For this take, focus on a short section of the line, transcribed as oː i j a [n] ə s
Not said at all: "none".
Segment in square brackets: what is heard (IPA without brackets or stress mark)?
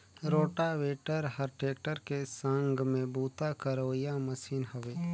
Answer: m